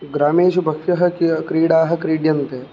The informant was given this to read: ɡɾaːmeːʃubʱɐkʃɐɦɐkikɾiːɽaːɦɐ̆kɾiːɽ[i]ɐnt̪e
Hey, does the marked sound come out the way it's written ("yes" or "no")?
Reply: no